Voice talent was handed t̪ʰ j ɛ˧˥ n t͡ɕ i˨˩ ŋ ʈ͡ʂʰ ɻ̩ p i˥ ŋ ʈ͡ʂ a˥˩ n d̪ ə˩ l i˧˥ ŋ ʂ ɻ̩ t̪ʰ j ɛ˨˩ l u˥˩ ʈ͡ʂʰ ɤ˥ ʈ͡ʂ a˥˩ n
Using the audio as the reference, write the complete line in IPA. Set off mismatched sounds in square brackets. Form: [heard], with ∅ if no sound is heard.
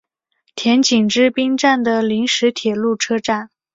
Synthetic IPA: t̪ʰ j ɛ˧˥ n t͡ɕ i˨˩ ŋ [ʈ͡ʂ] ɻ̩ p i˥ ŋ ʈ͡ʂ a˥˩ n d̪ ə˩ l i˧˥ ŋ ʂ ɻ̩ t̪ʰ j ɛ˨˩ l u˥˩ ʈ͡ʂʰ ɤ˥ ʈ͡ʂ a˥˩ n